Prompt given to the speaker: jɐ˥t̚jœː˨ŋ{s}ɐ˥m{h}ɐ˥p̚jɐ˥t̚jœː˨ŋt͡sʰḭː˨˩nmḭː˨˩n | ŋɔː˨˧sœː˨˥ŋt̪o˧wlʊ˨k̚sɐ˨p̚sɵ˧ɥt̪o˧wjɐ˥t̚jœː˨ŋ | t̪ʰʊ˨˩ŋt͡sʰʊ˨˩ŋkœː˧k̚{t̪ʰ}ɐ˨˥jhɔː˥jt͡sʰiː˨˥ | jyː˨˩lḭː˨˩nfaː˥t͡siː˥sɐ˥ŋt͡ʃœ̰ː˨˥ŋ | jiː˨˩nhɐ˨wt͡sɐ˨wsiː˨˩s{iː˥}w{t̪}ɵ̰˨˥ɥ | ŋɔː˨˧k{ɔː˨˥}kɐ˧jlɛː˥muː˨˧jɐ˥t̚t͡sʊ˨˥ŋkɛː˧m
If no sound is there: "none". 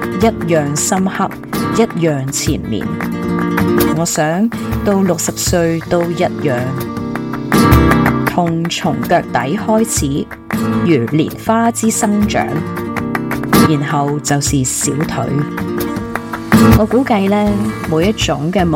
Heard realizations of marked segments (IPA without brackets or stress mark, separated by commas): s, h, t̪, iː˨˥, t̪ʰ, uː˨˥